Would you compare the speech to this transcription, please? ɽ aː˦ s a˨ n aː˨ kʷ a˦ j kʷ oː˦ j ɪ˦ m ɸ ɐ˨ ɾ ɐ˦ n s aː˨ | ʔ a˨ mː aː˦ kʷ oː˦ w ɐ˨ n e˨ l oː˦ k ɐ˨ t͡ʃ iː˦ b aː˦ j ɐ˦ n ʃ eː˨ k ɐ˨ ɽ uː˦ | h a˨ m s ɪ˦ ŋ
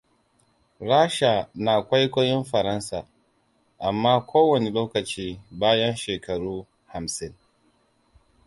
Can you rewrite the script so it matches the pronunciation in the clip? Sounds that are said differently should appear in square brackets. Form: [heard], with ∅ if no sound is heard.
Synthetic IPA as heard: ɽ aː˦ [ʃ] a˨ n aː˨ kʷ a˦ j kʷ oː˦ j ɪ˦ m ɸ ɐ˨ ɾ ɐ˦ n s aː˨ | ʔ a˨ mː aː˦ kʷ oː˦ w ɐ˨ n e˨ l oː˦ k ɐ˨ t͡ʃ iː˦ b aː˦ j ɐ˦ n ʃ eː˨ k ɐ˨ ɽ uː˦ | h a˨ m s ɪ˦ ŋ